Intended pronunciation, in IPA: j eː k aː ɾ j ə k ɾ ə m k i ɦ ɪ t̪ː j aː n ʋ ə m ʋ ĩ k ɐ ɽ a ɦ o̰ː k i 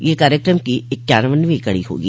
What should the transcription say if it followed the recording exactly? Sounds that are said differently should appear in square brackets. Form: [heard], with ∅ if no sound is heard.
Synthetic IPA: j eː k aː ɾ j ə k ɾ ə m k i [∅] ɪ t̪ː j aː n ʋ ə [n] ʋ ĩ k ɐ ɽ [i] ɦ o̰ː [ɡ] i

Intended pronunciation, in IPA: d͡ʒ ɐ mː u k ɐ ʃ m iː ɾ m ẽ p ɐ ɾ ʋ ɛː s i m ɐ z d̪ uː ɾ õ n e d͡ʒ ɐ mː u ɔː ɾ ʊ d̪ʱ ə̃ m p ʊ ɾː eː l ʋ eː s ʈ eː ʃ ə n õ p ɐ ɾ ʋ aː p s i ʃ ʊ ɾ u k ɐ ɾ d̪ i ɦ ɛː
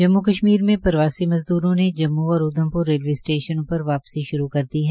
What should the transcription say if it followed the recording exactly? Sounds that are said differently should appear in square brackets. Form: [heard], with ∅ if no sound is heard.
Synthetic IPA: d͡ʒ ɐ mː u k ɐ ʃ m iː ɾ m ẽ p ɐ ɾ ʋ [aː] s i m ɐ z d̪ uː ɾ õ n e d͡ʒ ɐ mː u ɔː ɾ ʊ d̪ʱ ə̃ m p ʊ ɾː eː l ʋ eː s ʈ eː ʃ ə n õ p ɐ ɾ ʋ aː p s i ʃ ʊ ɾ u k ɐ ɾ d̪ i ɦ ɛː

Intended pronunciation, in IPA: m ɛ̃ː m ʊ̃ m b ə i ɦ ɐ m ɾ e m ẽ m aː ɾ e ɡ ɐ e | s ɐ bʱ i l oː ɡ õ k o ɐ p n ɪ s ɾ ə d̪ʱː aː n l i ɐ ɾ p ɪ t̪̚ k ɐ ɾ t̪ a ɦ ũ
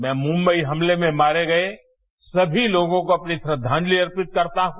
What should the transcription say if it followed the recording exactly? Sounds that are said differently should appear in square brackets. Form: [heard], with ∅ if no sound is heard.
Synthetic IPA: m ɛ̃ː m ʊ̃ m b ə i ɦ ɐ m [l] e m ẽ m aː ɾ e ɡ ɐ e | s ɐ bʱ i l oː ɡ õ k o ɐ p n [i] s ɾ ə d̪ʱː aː n l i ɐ ɾ p ɪ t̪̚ k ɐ ɾ t̪ a ɦ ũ

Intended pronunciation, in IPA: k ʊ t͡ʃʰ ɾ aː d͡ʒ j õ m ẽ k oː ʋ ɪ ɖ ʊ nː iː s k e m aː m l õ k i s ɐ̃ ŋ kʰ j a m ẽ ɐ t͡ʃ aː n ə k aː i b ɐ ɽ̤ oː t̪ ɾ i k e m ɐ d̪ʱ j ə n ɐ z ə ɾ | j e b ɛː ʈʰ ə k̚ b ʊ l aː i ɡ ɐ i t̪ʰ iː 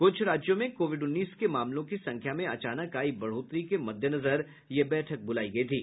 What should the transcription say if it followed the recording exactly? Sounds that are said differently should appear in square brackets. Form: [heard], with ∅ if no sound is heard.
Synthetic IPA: k ʊ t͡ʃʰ ɾ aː d͡ʒ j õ m ẽ k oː ʋ ɪ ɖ ʊ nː iː s k e m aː m l õ k i s ɐ̃ ŋ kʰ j a m ẽ ɐ t͡ʃ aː n ə k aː i b ɐ ɽ̤ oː t̪ ɾ i k e m ɐ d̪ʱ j ə n ɐ z ə ɾ | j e b ɛː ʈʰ ə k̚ b ʊ l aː i ɡ ɐ i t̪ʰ iː

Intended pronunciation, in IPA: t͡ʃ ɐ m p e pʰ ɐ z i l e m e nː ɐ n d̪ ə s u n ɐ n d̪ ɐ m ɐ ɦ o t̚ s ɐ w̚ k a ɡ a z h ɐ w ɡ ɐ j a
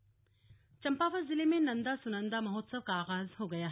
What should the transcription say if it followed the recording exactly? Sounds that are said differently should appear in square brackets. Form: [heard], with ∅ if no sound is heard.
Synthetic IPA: t͡ʃ ɐ m p [a] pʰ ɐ z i l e m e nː ɐ n d̪ [ɐ] s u n ɐ n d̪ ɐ m ɐ ɦ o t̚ s ɐ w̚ k a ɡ a z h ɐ w ɡ ɐ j a

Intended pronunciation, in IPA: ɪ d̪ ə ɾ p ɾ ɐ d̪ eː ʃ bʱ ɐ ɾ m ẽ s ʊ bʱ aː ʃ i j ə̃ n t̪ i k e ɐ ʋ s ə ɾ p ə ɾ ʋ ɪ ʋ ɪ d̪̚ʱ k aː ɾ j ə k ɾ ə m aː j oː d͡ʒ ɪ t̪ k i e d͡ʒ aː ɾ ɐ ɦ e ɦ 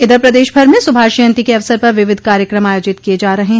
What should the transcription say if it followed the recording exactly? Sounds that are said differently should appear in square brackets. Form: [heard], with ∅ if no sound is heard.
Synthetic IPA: ɪ d̪ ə ɾ p ɾ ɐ d̪ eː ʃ bʱ ɐ ɾ m ẽ s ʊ bʱ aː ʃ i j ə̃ n t̪ i k e ɐ ʋ s ə ɾ p [ɐ] ɾ ʋ ɪ ʋ ɪ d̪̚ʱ k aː ɾ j ə k ɾ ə m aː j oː d͡ʒ ɪ t̪ k i e d͡ʒ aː ɾ ɐ ɦ e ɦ

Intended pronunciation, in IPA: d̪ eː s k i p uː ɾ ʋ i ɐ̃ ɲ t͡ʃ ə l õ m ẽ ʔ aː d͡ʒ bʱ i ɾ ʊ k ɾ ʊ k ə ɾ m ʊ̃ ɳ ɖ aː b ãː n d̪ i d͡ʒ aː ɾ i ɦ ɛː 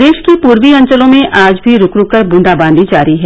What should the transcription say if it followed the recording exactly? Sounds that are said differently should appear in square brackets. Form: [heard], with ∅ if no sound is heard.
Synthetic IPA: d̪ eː [ʃ] k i p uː ɾ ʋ i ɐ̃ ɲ t͡ʃ ə l õ m ẽ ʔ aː d͡ʒ bʱ i ɾ ʊ k ɾ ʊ k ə ɾ [b] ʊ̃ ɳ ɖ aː b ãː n d̪ i d͡ʒ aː ɾ i ɦ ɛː

